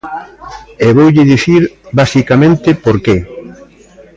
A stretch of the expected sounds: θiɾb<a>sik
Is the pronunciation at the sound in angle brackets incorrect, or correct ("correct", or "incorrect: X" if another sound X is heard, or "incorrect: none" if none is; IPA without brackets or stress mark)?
correct